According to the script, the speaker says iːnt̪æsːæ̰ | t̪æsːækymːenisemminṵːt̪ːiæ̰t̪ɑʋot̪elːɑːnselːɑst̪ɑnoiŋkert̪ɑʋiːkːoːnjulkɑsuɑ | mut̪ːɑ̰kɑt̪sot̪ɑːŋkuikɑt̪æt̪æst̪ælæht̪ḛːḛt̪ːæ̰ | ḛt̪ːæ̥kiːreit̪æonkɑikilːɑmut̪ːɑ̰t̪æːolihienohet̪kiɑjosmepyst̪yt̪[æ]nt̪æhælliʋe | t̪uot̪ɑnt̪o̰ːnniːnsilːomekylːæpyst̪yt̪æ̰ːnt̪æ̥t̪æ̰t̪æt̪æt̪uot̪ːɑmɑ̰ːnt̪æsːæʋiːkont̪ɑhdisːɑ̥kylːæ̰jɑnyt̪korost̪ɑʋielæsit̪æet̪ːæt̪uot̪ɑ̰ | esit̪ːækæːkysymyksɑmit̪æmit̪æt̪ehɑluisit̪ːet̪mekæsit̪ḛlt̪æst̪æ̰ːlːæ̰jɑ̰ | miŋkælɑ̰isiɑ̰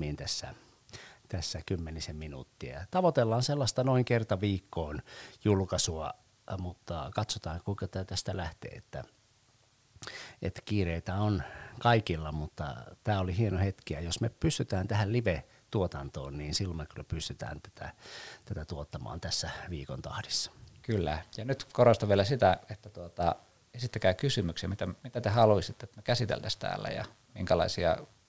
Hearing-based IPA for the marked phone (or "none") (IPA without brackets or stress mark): æː